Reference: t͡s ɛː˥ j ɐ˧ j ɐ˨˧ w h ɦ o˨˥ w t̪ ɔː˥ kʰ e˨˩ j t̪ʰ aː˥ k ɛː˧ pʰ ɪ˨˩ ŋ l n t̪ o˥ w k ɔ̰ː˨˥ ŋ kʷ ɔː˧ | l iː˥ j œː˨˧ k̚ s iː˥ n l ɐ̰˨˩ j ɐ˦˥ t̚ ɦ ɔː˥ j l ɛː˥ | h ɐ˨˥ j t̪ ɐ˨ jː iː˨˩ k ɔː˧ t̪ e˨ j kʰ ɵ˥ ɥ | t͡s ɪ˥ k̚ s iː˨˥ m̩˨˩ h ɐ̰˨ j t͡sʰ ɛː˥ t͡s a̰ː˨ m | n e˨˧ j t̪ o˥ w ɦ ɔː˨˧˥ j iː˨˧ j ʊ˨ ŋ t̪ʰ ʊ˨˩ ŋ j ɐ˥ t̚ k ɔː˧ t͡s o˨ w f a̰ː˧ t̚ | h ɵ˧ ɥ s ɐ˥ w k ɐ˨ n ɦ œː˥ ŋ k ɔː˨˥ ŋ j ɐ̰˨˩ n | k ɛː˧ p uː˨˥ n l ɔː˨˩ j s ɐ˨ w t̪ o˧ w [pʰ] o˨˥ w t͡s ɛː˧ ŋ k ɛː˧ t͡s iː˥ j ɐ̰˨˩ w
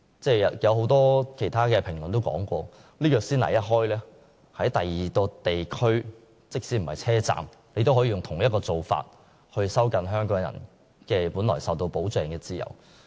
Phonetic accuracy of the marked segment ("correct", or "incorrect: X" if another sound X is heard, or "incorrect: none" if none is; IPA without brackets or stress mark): incorrect: p